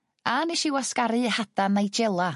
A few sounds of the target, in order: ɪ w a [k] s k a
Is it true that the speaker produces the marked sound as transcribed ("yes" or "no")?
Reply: no